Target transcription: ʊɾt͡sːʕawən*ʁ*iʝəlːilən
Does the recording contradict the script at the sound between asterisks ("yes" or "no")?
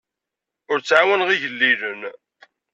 no